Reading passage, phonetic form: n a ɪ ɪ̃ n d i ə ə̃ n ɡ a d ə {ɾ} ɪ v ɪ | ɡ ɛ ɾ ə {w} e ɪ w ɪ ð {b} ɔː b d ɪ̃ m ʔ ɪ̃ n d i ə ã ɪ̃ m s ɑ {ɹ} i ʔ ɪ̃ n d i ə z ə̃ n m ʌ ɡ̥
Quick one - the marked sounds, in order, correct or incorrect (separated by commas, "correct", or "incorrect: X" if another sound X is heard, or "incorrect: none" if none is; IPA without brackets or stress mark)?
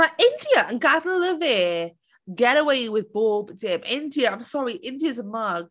incorrect: l, correct, correct, correct